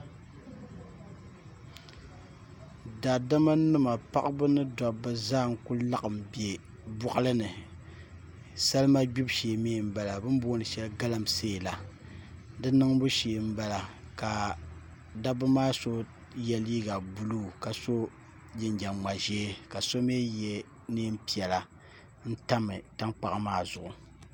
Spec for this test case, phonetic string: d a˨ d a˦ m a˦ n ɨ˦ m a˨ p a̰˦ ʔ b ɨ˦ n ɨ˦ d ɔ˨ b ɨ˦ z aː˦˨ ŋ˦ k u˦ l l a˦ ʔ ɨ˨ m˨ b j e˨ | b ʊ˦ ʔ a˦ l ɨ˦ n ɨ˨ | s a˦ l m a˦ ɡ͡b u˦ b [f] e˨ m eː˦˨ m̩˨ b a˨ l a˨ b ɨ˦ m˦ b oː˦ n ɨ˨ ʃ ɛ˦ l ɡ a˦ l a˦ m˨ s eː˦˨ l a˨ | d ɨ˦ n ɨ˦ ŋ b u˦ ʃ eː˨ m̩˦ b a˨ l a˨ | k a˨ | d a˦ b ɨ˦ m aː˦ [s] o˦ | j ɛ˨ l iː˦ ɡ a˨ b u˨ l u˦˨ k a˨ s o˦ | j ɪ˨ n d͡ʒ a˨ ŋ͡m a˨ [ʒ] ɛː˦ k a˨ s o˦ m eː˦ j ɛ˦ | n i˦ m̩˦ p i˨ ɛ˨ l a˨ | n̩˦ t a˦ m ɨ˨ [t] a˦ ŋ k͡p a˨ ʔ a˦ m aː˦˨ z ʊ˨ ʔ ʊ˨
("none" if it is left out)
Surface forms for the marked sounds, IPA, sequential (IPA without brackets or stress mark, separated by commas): ʃ, s, ʒ, t